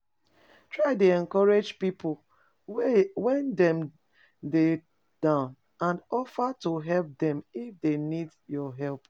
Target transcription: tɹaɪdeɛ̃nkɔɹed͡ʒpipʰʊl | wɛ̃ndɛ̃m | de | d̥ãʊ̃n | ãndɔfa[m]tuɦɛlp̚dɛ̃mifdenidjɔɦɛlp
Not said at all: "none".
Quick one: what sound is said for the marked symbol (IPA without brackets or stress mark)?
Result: none